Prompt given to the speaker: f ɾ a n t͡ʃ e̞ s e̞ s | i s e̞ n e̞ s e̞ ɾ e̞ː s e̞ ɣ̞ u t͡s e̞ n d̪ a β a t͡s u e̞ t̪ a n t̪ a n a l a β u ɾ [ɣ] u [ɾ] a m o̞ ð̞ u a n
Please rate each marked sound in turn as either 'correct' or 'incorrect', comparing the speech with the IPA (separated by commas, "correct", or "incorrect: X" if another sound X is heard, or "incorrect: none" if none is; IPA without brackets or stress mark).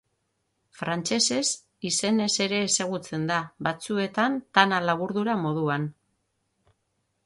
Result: incorrect: ð, correct